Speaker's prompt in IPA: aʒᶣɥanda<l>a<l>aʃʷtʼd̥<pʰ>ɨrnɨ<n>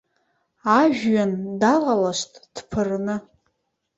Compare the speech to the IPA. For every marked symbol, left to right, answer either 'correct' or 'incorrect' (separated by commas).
correct, correct, correct, incorrect